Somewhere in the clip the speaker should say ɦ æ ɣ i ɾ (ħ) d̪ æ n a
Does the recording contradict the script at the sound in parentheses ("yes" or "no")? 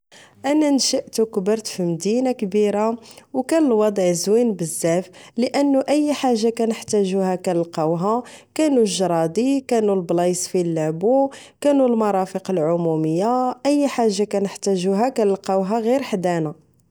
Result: no